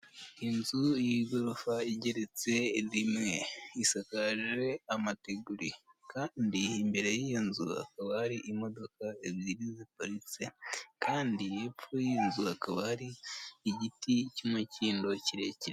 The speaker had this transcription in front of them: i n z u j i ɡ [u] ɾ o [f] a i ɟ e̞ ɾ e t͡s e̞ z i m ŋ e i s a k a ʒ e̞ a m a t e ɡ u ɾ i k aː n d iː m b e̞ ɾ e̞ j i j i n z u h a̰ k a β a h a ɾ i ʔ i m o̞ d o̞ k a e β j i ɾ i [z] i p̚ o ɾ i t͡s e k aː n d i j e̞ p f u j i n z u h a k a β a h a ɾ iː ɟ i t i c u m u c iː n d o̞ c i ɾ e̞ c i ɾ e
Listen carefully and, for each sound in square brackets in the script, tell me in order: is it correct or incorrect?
incorrect: o, correct, correct

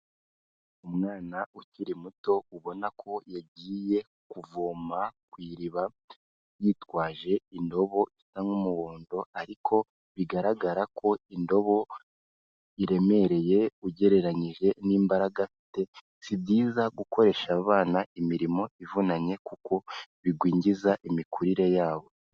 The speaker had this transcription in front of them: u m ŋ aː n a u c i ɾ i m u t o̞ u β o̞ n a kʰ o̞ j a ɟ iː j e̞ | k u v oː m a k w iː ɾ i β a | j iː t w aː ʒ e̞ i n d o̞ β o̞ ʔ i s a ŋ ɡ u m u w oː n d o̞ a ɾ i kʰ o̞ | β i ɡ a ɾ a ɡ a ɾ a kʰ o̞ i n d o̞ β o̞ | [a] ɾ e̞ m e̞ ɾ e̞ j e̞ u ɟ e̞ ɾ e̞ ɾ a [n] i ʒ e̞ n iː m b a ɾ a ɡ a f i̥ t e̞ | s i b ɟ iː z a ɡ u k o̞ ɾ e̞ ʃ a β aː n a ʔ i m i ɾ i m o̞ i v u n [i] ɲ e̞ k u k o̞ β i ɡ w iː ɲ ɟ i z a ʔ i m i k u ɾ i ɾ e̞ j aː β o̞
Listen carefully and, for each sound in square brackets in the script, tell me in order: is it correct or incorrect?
incorrect: i, incorrect: ɲ, incorrect: a

